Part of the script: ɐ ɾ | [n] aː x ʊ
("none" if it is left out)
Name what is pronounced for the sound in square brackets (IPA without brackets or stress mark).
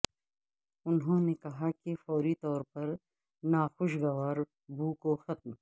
n